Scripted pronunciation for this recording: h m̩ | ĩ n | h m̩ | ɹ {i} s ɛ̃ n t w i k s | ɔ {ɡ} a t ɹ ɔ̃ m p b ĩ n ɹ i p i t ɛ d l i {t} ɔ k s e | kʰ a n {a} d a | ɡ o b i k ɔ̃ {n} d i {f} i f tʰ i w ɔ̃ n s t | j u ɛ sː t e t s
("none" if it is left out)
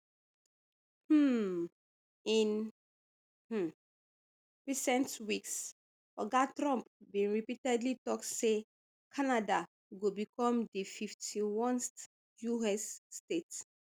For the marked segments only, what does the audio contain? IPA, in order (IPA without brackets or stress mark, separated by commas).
i, ɡ, t, a, m, f